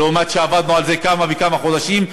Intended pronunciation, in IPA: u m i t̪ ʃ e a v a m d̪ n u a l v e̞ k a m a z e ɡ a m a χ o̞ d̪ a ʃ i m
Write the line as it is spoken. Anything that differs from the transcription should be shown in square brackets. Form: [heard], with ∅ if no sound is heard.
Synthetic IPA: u m [a] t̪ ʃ e a v a [∅] d̪ n u a l [z] e̞ k a m a [v] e [k] a m a χ o̞ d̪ a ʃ i m